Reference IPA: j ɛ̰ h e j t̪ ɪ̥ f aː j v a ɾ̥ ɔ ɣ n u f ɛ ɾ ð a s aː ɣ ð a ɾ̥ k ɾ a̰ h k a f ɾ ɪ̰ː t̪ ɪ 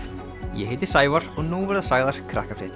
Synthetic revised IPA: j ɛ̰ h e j t̪ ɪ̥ s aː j v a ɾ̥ ɔ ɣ n u v ɛ ɾ ð a s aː ɣ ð a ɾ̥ kʰ ɾ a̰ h k a f ɾ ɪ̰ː t̪ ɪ